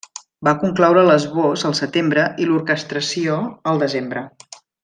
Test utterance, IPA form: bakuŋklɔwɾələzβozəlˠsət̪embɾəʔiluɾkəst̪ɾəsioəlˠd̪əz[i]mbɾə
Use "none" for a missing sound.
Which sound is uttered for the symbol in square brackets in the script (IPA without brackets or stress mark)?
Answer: e